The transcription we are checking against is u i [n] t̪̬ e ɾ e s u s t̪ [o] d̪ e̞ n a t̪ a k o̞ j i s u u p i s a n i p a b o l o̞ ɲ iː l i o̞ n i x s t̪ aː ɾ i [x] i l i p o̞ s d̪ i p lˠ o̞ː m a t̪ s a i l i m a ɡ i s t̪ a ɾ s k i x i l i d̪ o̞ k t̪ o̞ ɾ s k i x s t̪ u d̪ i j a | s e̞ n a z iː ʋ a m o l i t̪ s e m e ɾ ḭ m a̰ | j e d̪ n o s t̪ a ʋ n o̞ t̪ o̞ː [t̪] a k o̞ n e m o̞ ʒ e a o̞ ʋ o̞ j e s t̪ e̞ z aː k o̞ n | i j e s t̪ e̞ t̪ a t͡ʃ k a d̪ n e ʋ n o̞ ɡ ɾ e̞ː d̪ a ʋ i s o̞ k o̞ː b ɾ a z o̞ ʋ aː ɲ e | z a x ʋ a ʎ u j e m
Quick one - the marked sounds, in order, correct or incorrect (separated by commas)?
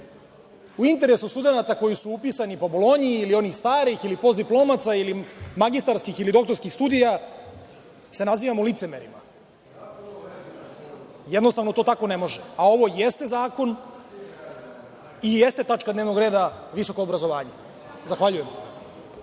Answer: correct, incorrect, correct, correct